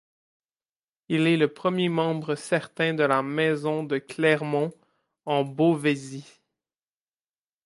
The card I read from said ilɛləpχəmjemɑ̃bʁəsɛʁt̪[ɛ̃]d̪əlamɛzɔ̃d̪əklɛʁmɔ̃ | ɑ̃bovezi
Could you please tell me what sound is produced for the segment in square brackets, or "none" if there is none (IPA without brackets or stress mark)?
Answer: ɛ̃